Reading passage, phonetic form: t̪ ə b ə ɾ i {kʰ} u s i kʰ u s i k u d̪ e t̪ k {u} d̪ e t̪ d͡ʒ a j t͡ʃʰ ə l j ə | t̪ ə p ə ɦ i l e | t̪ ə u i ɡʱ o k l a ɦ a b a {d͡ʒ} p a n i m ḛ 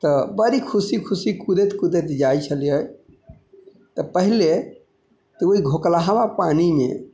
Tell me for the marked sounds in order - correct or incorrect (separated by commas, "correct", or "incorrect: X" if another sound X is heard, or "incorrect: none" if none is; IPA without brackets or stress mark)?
correct, correct, incorrect: none